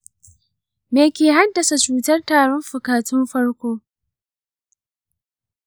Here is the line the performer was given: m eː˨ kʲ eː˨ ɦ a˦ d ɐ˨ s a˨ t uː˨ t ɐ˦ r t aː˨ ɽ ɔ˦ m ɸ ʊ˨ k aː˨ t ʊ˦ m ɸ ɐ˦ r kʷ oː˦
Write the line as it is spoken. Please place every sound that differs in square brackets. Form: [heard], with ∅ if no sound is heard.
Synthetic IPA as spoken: m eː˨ kʲ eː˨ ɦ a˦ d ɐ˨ s a˨ [t͡ʃ] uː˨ t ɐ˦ r t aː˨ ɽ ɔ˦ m ɸ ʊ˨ k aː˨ t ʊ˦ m ɸ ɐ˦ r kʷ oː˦